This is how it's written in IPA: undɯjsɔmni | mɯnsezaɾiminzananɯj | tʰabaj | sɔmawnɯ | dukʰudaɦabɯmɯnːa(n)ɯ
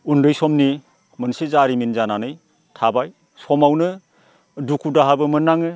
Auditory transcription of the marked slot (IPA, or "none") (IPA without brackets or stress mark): ŋ